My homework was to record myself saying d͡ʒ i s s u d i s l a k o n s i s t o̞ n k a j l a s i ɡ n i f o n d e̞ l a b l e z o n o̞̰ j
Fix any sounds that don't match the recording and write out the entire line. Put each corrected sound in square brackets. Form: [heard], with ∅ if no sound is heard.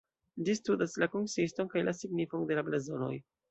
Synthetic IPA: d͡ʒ i s [t] u d [a] s l a k o n s i s t o̞ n k a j l a s i ɡ n i f o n d e̞ l a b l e z o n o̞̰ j